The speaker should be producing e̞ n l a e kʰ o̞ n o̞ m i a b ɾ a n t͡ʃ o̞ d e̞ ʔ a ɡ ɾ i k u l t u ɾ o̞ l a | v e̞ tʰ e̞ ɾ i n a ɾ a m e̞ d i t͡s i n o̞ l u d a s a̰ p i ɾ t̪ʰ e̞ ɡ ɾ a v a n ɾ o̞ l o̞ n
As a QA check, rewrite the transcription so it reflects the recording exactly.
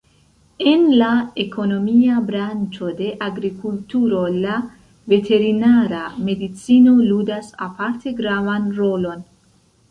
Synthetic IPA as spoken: e̞ n l a e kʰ o̞ n o̞ m i a b ɾ a n t͡ʃ o̞ d e̞ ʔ a ɡ ɾ i k u l t u ɾ o̞ l a | v e̞ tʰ e̞ ɾ i n a ɾ a m e̞ d i t͡s i n o̞ l u d a s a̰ p a ɾ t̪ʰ e̞ ɡ ɾ a v a n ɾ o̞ l o̞ n